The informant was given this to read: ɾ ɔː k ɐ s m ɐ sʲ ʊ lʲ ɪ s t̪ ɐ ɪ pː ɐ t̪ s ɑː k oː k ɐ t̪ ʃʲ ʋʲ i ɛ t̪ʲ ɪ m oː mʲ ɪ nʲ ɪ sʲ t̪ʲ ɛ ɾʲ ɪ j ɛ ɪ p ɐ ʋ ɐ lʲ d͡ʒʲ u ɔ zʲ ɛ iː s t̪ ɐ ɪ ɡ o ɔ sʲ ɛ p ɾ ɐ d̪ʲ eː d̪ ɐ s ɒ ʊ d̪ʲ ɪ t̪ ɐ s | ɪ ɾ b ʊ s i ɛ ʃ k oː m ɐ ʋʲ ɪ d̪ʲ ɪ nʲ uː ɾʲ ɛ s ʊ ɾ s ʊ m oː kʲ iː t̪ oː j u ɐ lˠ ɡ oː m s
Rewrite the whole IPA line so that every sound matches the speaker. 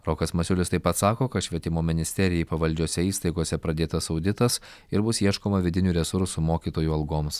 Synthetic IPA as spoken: ɾ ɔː k ɐ s m ɐ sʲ ʊ lʲ ɪ s t̪ ɐ ɪ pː ɐ t̪ s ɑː k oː k ɐ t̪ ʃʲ ʋʲ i ɛ t̪ʲ ɪ m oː mʲ ɪ nʲ ɪ sʲ t̪ʲ ɛ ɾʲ ɪ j ɛ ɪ p ɐ ʋ ɐ lʲ d͡ʒʲ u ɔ sʲ ɛ iː s t̪ ɐ ɪ ɡ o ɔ sʲ ɛ p ɾ ɐ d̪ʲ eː t̪ ɐ s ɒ ʊ d̪ʲ ɪ t̪ ɐ s | ɪ ɾ b ʊ s i ɛ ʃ k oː m ɐ ʋʲ ɪ d̪ʲ ɪ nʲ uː ɾʲ ɛ s ʊ ɾ s ʊ m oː kʲ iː t̪ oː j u ɐ lˠ ɡ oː m s